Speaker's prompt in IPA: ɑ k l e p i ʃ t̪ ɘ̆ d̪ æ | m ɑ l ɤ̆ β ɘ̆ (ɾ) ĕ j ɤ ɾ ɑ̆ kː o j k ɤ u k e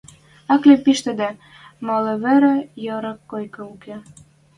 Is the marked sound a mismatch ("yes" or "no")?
no